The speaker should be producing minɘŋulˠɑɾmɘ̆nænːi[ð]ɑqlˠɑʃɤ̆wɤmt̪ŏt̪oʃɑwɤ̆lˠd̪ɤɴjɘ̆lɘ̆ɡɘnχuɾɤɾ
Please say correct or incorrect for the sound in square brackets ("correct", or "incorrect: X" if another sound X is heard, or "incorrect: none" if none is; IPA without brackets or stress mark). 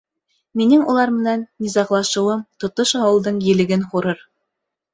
incorrect: z